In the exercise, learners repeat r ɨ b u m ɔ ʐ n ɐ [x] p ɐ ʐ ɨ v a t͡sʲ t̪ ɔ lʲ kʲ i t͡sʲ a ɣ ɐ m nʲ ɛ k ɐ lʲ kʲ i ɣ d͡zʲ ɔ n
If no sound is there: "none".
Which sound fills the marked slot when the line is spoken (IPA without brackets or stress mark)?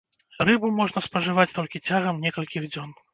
s